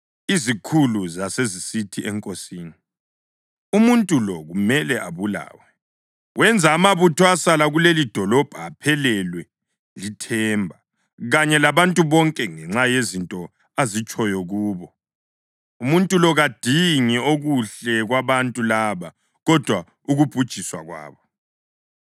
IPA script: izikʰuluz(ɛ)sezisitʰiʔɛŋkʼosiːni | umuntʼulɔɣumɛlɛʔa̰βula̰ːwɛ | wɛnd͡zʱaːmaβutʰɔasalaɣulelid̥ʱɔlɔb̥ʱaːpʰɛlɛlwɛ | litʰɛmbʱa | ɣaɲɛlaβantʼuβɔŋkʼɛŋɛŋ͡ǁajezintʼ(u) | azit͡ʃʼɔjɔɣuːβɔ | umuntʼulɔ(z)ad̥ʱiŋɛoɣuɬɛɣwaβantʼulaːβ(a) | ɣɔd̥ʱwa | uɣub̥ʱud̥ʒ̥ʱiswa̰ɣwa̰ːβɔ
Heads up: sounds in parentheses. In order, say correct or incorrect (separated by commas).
incorrect, incorrect, incorrect, correct